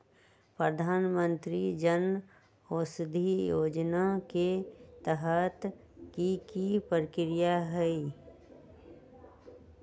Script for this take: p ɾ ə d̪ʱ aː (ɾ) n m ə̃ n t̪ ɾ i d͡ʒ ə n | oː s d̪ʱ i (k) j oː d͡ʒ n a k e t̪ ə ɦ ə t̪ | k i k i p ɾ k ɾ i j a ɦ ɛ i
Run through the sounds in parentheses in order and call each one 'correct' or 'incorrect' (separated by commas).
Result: incorrect, incorrect